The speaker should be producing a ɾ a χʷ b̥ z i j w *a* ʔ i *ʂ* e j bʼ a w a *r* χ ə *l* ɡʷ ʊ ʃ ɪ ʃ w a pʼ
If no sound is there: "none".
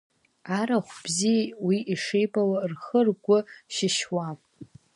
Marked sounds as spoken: i, ʂ, r, r

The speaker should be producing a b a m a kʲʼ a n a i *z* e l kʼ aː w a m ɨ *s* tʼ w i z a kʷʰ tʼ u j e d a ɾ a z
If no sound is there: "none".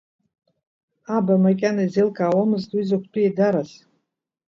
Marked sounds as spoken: z, z

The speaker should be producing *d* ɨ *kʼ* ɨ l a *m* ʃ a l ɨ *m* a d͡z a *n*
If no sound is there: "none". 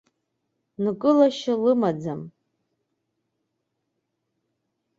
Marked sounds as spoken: n, kʼ, none, m, m

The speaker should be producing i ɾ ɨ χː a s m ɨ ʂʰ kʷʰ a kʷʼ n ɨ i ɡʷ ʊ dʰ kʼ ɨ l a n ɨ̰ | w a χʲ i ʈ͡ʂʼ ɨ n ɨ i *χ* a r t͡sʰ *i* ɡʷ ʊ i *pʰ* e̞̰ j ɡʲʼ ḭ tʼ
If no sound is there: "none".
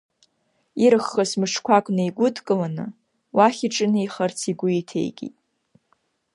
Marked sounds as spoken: χ, i, tʰ

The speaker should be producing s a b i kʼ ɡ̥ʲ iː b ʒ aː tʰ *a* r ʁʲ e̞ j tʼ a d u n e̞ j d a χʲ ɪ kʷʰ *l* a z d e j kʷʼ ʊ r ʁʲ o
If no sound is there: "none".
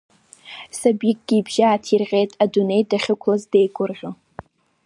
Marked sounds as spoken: i, l

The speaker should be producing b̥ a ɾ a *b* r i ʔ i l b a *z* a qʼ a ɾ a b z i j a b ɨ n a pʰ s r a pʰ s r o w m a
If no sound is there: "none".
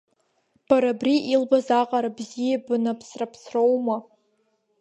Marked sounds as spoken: b, z

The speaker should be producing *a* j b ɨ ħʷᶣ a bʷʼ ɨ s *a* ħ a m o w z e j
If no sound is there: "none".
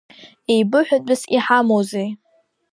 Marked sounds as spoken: e, i

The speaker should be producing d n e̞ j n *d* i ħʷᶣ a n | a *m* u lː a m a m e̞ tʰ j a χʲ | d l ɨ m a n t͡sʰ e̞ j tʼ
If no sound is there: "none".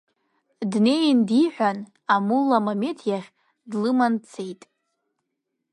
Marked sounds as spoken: d, m

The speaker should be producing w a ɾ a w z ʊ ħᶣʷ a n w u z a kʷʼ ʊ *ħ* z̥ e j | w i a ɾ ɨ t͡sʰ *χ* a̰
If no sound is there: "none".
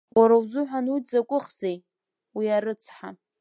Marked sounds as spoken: χ, ħ

